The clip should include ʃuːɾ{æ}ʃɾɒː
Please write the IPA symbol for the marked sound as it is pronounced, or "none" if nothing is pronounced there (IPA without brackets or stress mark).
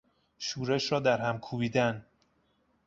e